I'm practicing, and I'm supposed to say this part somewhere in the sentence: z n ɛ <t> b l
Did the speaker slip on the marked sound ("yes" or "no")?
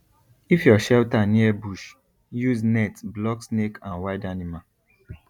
no